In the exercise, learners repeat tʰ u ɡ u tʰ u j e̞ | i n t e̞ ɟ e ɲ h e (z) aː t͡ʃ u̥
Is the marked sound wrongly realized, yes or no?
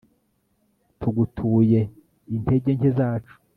no